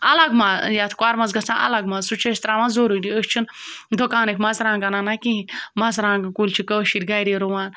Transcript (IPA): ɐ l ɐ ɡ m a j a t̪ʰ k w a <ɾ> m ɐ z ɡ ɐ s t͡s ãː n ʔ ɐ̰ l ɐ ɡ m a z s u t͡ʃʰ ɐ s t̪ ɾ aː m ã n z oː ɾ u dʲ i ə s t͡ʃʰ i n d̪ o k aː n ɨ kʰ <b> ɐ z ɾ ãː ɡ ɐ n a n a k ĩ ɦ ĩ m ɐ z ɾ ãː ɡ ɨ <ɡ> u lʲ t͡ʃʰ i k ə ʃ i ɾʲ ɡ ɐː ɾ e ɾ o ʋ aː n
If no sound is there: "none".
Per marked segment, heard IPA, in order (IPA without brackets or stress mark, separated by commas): ɾ, m, k